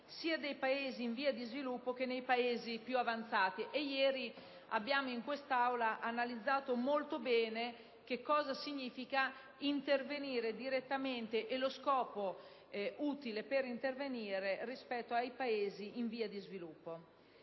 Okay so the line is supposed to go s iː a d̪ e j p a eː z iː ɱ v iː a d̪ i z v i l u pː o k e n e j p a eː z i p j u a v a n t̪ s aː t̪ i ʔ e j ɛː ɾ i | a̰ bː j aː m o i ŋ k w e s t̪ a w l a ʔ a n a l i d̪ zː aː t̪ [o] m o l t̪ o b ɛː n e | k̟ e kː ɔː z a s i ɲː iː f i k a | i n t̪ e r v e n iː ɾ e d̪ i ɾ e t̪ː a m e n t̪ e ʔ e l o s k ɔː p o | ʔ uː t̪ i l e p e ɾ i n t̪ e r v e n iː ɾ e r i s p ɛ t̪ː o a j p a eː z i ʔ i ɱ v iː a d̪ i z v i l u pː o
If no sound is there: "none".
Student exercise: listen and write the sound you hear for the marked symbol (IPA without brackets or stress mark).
o